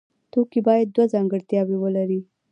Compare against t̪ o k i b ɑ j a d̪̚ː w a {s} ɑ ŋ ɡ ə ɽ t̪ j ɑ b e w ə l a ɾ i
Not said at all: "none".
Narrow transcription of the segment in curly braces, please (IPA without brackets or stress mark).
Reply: z